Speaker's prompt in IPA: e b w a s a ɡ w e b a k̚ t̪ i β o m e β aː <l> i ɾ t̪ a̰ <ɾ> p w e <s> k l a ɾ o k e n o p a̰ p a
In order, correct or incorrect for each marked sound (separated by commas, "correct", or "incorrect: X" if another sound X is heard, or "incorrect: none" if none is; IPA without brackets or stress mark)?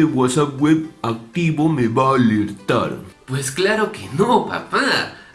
correct, correct, correct